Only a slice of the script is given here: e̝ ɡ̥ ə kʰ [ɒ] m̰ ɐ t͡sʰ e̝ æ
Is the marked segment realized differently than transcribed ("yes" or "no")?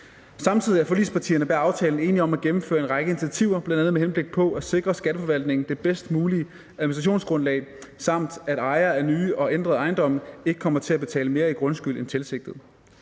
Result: no